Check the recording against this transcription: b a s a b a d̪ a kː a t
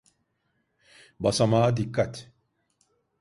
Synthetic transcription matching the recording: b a s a m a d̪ i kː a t

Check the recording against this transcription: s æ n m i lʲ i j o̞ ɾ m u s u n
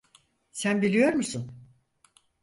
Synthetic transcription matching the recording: s æ n b i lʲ i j o̞ ɾ m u s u n

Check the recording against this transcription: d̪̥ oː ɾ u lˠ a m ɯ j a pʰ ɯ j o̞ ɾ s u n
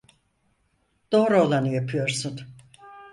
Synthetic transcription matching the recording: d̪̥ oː ɾ o lˠ a n ɯ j a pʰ ɯ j o̞ ɾ s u n

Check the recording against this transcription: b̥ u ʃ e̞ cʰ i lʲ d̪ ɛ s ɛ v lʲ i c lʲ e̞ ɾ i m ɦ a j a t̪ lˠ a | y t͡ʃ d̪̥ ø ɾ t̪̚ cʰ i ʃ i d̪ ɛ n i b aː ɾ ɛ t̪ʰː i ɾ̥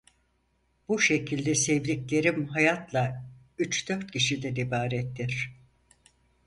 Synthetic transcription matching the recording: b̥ u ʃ e̞ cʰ i lʲ d̪ ɛ s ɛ v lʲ i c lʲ e̞ ɾ i m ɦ a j a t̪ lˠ a | y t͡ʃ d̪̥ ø ɾ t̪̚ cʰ i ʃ i d̪ ɛ n i b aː ɾ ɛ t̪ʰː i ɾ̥

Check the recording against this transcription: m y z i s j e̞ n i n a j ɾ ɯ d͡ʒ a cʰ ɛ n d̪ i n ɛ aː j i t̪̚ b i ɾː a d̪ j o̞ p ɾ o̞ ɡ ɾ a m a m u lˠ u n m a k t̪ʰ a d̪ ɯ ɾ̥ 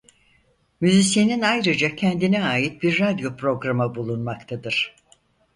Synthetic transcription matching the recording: m y z i s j e̞ n i n a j ɾ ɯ d͡ʒ a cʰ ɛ n d̪ i n ɛ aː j i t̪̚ b i ɾː a d̪ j o̞ p ɾ o̞ ɡ ɾ a m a b u lˠ u n m a k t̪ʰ a d̪ ɯ ɾ̥

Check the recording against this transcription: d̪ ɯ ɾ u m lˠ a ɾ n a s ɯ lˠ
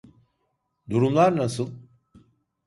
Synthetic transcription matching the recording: d̪ u ɾ u m lˠ a ɾ n a s ɯ lˠ

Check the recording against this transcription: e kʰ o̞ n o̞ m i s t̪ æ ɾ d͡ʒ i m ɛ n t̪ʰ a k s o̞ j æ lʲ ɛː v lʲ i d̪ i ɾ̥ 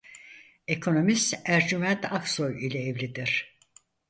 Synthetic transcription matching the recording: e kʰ o̞ n o̞ m i s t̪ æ ɾ d͡ʒ y m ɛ n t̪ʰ a k s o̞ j i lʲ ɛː v lʲ i d̪ i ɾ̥

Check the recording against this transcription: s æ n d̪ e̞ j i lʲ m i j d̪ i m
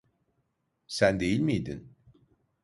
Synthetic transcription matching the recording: s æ n d̪ e̞ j i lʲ m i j d̪ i n

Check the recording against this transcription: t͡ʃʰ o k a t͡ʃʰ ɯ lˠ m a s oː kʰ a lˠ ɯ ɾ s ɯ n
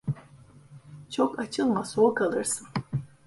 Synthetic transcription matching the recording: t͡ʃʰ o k a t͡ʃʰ ɯ lˠ m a s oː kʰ a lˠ ɯ ɾ s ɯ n

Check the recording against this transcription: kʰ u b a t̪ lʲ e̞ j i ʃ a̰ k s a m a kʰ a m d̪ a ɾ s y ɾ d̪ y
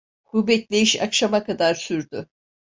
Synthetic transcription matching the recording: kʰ u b ɛ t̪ lʲ e̞ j i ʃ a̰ k ʃ a m a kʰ a d̪ a ɾ s y ɾ d̪ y

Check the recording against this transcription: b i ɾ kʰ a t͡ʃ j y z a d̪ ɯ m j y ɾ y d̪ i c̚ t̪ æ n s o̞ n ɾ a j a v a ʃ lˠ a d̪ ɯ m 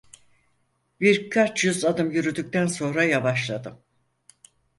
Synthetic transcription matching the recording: b i ɾ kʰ a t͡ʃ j y z a d̪ ɯ m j y ɾ y d̪ y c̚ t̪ æ n s o̞ n ɾ a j a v a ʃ lˠ a d̪ ɯ m

